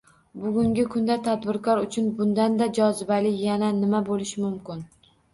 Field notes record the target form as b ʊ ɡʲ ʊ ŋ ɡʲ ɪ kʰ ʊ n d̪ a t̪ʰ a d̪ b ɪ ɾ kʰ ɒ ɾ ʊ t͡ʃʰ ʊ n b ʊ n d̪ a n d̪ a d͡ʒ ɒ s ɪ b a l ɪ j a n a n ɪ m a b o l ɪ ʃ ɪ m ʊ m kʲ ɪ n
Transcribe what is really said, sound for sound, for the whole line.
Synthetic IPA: b ʊ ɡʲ ʊ ŋ ɡʲ ɪ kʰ ʊ n d̪ a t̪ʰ a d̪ b ɪ ɾ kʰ ɒ ɾ ʊ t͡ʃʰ ʊ n b ʊ n d̪ a n d̪ a d͡ʒ ɒ z ɪ b a l ɪ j a n a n ɪ m a b o l ɪ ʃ ɪ m ʊ m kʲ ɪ n

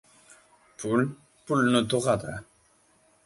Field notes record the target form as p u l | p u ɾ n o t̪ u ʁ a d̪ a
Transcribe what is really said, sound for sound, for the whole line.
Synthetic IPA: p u l | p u l n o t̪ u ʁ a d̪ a

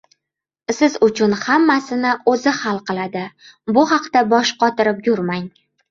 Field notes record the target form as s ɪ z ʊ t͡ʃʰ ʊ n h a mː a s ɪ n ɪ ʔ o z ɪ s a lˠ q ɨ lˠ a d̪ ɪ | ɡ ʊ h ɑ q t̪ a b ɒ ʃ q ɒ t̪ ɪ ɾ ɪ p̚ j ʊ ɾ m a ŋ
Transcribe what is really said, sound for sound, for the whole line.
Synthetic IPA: s ɪ z ʊ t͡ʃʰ ʊ n h a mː a s ɪ n ɪ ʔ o z ɪ h a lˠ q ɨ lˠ a d̪ ɪ | b ʊ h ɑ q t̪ a b ɒ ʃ q ɒ t̪ ɪ ɾ ɪ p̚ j ʊ ɾ m a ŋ

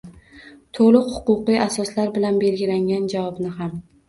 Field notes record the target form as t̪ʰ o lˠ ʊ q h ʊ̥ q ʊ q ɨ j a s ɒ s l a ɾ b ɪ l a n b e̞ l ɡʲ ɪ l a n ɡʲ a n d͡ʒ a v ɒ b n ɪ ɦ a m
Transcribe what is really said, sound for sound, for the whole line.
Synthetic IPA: t̪ʰ o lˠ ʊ q h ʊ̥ q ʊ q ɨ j a s ɒ s l a ɾ b ɪ l a n b e̞ l ɡʲ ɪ l a ŋ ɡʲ a n d͡ʒ a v ɒ b n ɪ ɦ a m

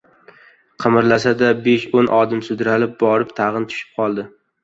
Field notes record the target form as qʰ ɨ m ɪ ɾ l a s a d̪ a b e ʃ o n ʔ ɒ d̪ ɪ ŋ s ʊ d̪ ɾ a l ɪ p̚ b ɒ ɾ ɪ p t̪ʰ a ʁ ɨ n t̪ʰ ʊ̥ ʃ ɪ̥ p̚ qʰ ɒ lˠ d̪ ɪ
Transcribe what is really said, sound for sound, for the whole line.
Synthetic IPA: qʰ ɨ m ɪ ɾ l a s a d̪ a b e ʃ o n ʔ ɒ d̪ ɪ m s ʊ d̪ ɾ a l ɪ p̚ b ɒ ɾ ɪ p t̪ʰ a ʁ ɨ n t̪ʰ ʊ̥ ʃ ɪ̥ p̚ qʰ ɒ lˠ d̪ ɪ

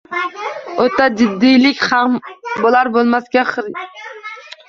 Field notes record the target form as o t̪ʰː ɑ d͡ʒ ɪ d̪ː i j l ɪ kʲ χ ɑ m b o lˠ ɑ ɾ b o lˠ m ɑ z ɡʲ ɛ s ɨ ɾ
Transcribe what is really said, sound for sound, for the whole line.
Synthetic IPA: o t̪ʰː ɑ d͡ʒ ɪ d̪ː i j l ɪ kʲ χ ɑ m b o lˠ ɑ ɾ b o lˠ m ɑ s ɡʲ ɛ χ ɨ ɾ

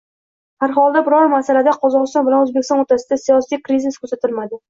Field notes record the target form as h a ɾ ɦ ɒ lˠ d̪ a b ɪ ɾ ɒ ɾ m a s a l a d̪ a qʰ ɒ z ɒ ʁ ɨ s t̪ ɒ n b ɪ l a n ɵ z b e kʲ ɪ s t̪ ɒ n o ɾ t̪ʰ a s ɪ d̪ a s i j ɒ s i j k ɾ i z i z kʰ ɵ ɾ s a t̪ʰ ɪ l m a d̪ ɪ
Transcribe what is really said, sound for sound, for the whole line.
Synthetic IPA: h a ɾ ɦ ɒ lˠ d̪ a b ɪ ɾ ɒ ɾ m a s a l a d̪ a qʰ ɒ z ɒ ʁ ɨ s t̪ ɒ n b ɪ l a n ɵ z b e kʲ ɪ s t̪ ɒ n o ɾ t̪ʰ a s ɪ d̪ a s i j ɒ s i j k ɾ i z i s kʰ ɵ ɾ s a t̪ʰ ɪ l m a d̪ ɪ

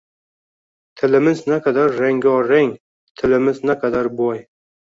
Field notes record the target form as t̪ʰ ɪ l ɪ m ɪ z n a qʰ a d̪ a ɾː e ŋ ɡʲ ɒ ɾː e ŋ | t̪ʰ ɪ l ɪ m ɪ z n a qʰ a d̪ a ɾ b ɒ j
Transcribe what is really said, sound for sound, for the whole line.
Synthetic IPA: t̪ʰ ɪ l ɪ m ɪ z n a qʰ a d̪ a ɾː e ŋ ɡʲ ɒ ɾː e ŋ | t̪ʰ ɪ l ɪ m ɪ z n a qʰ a d̪ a ɾ b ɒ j

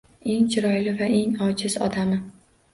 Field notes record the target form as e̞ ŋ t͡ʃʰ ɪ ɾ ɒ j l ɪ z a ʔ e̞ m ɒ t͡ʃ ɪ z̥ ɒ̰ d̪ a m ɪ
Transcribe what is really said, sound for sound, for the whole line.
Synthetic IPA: e̞ ŋ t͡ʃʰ ɪ ɾ ɒ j l ɪ v a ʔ e̞ ŋ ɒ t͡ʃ ɪ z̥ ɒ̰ d̪ a m ɪ

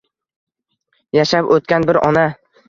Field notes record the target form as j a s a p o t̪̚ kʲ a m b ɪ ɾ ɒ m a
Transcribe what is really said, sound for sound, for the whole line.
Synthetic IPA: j a ʃ a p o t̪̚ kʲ a n b ɪ ɾ ɒ n a

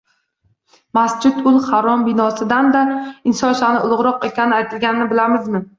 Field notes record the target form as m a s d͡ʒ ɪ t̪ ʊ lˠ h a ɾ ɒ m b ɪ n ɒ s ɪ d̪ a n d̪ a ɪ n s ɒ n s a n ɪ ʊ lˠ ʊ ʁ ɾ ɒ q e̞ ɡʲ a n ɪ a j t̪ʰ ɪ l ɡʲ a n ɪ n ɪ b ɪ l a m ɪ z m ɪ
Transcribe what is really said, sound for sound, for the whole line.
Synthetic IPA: m a s d͡ʒ ɪ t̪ ʊ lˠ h a ɾ ɒ m b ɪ n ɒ s ɪ d̪ a n d̪ a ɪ n s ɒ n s a n ɪ ʊ lˠ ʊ ʁ ɾ ɒ q e̞ kʲ a n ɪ a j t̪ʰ ɪ l ɡʲ a n ɪ n ɪ b ɪ l a m ɪ z m ɪ

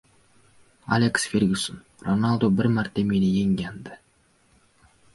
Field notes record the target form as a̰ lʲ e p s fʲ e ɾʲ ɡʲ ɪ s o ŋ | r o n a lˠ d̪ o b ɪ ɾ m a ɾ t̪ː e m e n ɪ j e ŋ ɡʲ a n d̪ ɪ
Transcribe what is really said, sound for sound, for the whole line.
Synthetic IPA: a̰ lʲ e k s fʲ e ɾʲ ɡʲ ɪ s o n | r o n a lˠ d̪ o b ɪ ɾ m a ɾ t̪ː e m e n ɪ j e ŋ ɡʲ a n d̪ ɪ

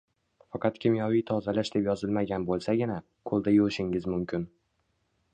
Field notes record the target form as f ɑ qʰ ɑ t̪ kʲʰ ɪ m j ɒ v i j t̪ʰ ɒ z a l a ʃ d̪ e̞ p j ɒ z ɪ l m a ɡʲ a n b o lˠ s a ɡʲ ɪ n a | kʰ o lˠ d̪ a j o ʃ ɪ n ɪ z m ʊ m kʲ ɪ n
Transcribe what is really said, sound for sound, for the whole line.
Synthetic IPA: f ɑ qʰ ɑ t̪ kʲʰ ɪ m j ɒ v i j t̪ʰ ɒ z a l a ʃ d̪ e̞ p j ɒ z ɪ l m a ɡʲ a n b o lˠ s a ɡʲ ɪ n a | kʰ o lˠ d̪ a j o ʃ ɪ ŋ ɪ z m ʊ m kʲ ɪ n

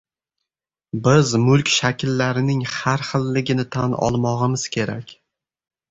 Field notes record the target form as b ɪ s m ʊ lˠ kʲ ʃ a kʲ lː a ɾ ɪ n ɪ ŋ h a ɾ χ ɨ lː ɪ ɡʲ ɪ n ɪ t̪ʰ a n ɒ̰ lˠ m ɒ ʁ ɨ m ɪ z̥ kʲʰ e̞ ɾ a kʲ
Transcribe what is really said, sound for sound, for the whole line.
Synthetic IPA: b ɪ z m ʊ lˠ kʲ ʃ a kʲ lː a ɾ ɪ n ɪ ŋ h a ɾ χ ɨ lː ɪ ɡʲ ɪ n ɪ t̪ʰ a n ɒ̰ lˠ m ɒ ʁ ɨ m ɪ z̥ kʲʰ e̞ ɾ a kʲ

